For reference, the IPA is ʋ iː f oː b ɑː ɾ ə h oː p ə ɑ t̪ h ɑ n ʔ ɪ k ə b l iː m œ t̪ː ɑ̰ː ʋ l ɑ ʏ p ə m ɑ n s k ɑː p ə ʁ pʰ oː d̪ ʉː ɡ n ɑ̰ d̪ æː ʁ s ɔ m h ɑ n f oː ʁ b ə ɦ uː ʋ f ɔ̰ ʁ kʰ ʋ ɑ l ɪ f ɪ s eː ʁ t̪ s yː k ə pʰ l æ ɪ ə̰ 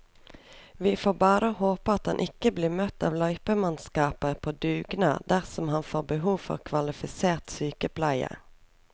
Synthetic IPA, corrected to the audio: ʋ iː f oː b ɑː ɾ ə h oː p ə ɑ t̪ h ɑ n ʔ ɪ k ə b l iː m œ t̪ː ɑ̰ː ʋ l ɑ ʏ p ə m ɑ n s k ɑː p ə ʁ pʰ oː d̪ ʉː ɡ n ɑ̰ d̪ æ ʁ s ɔ m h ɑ n f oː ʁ b ə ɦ uː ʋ f ɔ̰ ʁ kʰ ʋ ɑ l ɪ f ɪ s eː ʁ t̪ s yː k ə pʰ l æ ɪ ə̰